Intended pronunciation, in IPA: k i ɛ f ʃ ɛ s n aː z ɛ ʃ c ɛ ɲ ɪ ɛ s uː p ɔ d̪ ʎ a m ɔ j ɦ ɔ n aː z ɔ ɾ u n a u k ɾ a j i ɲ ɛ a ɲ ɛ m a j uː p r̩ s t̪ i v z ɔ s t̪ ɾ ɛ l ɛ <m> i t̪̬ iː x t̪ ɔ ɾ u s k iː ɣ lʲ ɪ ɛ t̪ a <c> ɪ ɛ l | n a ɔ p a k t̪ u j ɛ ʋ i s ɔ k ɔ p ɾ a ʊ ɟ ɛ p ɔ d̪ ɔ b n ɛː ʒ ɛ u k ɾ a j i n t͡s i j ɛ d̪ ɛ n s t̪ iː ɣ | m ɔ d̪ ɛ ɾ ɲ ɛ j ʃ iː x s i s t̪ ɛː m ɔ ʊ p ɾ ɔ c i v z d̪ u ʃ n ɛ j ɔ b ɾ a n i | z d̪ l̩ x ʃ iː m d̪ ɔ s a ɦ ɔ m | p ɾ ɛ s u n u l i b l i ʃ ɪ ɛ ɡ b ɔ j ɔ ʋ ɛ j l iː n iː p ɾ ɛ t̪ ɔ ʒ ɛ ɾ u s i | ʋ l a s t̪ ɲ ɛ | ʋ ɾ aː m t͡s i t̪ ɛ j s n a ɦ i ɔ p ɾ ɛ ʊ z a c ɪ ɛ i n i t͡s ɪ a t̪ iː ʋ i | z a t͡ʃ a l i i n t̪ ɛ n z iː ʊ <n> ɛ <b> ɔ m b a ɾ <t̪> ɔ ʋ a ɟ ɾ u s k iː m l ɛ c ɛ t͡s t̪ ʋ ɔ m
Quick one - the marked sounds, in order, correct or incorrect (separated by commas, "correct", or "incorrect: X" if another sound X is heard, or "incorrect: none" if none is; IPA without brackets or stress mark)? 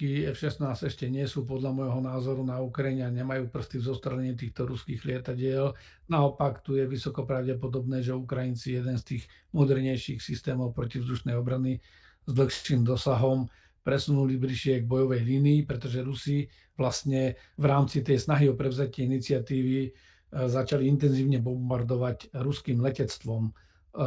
incorrect: ɲ, incorrect: ɟ, incorrect: ɲ, correct, incorrect: d̪